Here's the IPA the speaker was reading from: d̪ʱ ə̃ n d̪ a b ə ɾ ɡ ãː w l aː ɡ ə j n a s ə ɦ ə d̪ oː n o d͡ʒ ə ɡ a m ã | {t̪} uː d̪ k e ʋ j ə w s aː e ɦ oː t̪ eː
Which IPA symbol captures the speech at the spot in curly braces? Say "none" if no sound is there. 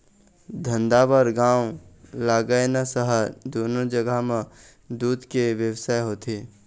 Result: d̪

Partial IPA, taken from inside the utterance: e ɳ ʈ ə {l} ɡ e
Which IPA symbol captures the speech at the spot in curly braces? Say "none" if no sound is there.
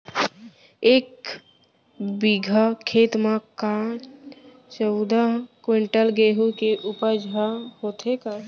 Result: l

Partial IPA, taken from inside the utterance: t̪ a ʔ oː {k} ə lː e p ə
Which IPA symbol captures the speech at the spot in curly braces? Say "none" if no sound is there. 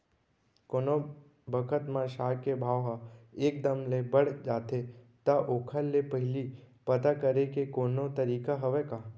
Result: kʰ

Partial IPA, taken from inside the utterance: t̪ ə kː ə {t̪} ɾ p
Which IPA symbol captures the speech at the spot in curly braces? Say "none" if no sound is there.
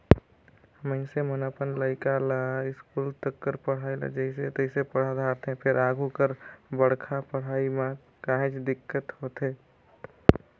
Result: none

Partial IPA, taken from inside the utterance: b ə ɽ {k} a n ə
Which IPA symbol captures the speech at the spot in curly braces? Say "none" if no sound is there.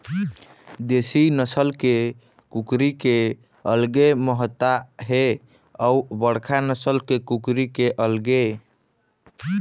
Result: kʰ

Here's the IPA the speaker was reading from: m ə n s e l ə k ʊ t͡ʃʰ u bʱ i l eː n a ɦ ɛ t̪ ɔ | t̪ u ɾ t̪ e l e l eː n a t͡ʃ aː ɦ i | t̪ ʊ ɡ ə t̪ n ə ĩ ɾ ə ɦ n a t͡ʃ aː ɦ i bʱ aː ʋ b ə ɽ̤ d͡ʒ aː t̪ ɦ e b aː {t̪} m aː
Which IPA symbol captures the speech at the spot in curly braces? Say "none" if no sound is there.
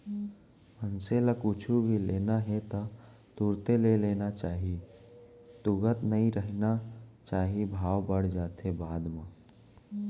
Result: d̪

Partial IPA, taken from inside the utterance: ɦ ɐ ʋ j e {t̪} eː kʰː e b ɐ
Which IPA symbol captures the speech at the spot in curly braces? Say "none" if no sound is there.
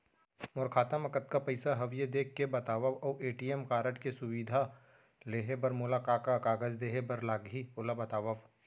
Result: d̪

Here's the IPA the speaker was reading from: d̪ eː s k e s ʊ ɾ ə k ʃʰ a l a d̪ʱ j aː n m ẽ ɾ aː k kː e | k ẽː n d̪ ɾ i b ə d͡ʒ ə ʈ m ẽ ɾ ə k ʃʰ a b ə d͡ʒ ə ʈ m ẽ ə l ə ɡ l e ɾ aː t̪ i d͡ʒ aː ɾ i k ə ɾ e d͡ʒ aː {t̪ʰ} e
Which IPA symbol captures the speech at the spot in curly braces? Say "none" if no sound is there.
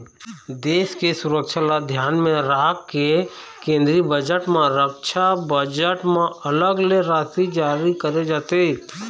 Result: t̪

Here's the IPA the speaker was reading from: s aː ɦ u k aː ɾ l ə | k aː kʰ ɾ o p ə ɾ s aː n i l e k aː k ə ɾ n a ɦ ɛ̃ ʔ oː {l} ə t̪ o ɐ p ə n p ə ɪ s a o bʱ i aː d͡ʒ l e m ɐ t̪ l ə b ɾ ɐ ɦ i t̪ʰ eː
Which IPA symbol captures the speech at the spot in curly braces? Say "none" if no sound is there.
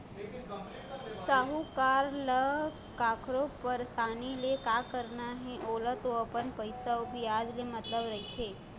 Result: l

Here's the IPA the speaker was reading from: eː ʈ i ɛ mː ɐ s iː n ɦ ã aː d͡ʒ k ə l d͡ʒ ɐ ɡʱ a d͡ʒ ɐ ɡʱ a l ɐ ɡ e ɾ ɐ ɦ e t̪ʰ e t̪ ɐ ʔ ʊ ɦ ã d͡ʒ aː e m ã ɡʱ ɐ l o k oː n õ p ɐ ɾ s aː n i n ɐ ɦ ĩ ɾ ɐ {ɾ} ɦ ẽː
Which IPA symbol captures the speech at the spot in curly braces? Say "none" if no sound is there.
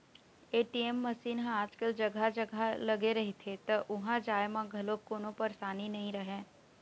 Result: none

